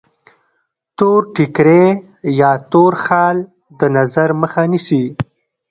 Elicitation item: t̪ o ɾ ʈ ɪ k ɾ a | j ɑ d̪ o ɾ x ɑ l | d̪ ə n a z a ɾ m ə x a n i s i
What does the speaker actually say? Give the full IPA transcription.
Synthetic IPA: t̪ o ɾ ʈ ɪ k ɾ e | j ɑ t̪ o ɾ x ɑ l | d̪ ə n a z a ɾ m ə x a n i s i